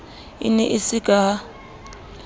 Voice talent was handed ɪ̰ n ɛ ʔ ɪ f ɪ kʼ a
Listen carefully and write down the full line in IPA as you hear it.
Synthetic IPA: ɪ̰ n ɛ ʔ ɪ s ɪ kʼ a